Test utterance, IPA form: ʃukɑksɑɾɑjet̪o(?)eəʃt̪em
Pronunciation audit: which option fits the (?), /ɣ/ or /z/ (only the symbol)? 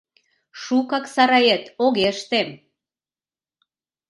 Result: ɣ